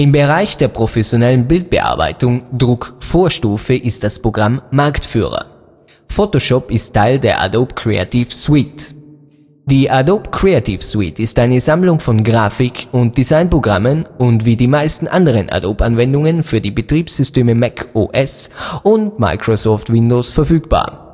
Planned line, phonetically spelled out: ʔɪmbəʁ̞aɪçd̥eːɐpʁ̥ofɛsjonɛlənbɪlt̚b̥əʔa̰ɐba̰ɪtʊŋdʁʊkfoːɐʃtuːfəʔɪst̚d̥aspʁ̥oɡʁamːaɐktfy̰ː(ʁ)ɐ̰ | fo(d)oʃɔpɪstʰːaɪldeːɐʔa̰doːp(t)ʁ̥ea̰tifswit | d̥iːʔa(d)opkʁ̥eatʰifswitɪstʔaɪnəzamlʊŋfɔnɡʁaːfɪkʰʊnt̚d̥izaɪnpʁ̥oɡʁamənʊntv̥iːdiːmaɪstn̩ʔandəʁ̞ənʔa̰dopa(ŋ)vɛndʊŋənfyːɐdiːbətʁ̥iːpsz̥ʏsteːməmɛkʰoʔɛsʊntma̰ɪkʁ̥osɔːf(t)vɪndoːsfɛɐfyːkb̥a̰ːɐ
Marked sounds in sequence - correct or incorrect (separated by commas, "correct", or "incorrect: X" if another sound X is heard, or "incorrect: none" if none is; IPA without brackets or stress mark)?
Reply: correct, incorrect: t, incorrect: k, correct, incorrect: n, correct